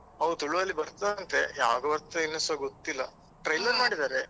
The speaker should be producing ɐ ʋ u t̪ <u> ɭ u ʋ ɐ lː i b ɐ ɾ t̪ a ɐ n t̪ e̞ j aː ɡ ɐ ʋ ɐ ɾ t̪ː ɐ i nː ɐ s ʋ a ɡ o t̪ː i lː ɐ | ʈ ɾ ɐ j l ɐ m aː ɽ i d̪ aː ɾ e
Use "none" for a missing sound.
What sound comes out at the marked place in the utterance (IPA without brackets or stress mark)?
u